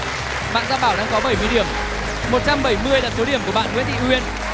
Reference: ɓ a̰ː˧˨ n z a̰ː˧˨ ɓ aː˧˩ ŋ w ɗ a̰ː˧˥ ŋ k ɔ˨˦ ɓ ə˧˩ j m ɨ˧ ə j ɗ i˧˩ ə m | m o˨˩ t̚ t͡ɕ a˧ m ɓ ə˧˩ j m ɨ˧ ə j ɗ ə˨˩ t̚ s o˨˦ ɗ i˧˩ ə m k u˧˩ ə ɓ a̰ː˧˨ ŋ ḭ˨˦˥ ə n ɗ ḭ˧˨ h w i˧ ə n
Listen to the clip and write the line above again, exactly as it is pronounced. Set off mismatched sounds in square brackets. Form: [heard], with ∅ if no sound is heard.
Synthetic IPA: ɓ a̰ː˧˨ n z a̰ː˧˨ ɓ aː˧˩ [∅] w ɗ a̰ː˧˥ ŋ k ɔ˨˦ ɓ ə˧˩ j m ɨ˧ ə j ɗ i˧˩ ə m | m o˨˩ t̚ t͡ɕ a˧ m ɓ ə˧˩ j m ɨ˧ ə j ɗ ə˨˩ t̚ s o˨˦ ɗ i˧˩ ə m k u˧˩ ə ɓ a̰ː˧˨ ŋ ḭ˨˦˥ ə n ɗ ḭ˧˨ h w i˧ ə n